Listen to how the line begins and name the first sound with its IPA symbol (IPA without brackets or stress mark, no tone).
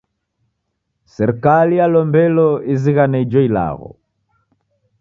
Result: s